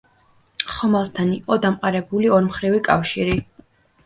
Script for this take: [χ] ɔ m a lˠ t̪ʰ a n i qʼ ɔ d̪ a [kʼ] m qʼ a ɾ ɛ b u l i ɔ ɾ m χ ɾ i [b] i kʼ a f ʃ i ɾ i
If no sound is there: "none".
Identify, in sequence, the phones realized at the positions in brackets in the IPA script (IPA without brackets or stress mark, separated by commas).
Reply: χ, none, v